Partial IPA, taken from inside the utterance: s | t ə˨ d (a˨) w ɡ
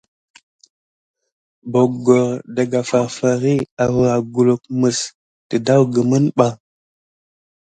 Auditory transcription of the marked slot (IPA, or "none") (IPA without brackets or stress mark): a˦